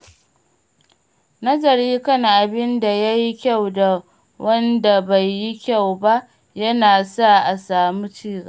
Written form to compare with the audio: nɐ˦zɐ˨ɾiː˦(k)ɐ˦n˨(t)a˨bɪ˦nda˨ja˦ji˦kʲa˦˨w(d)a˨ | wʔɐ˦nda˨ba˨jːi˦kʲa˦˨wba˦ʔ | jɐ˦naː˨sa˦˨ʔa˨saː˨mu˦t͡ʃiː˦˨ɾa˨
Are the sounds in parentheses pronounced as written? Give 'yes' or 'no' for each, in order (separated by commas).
yes, no, yes